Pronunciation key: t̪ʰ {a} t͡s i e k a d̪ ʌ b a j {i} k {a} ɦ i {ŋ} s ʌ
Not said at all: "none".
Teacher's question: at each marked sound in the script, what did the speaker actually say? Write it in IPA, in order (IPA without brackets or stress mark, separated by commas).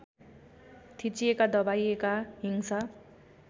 i, e, a, ŋ